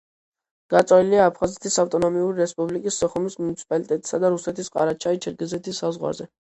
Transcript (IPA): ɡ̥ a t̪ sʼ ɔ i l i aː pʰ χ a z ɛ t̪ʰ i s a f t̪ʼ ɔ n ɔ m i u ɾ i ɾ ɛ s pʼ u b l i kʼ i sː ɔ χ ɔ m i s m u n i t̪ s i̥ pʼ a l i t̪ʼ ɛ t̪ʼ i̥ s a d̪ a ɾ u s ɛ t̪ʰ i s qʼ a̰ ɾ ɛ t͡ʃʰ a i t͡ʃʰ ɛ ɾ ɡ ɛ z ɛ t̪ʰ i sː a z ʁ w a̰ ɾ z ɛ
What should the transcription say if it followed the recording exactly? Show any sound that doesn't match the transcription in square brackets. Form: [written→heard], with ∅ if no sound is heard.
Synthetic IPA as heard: ɡ̥ a t̪ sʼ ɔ i l i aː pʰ χ a z ɛ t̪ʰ i s a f t̪ʼ ɔ n ɔ m i u ɾ i ɾ ɛ s pʼ u b l i kʼ i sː ɔ χ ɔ m i s m u n i t̪ s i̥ pʼ a l i t̪ʼ ɛ t̪ʼ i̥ s a d̪ a ɾ u s ɛ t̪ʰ i s qʼ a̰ ɾ [ɛ→a] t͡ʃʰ a i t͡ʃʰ ɛ ɾ ɡ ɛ z ɛ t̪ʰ i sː a z ʁ w a̰ ɾ z ɛ